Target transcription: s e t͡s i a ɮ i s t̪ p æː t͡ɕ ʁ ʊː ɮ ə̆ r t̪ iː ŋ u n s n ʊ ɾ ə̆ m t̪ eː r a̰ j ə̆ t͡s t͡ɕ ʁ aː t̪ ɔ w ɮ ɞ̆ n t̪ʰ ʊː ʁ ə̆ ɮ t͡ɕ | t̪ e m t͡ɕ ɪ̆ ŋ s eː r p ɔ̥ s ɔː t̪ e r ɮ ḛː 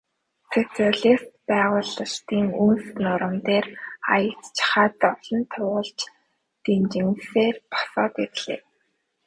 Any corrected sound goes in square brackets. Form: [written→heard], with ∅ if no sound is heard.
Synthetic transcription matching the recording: s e t͡s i a ɮ i s t̪ p æː [t͡ɕ→∅] ʁ ʊː ɮ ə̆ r t̪ iː ŋ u n s n ʊ ɾ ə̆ m t̪ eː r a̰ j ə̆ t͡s t͡ɕ [ʁ→χ] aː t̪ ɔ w ɮ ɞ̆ n t̪ʰ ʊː ʁ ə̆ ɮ t͡ɕ | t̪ e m t͡ɕ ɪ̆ ŋ s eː r p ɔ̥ s ɔː t̪ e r ɮ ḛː